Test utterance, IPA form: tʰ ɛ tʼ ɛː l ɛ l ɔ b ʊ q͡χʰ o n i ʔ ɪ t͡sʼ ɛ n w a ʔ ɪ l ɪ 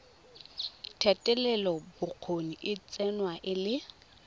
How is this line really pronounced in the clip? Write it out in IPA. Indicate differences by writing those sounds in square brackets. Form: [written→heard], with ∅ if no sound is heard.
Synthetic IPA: tʰ ɛ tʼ [ɛː→ɛ] l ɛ l ɔ b ʊ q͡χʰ o n i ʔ ɪ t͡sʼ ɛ n w a ʔ ɪ l ɪ